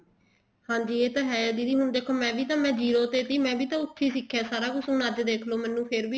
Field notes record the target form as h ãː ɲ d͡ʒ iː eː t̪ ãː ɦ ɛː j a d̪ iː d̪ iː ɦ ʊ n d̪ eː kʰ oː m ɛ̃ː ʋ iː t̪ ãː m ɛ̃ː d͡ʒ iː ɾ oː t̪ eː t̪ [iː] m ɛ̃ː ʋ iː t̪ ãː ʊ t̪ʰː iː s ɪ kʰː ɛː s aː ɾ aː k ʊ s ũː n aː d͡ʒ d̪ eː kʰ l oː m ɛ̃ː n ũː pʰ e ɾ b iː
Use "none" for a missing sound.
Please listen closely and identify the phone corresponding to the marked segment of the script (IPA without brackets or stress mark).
iː